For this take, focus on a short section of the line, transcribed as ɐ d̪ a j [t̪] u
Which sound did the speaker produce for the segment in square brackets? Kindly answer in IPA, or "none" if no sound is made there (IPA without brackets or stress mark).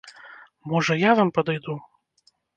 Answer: d̪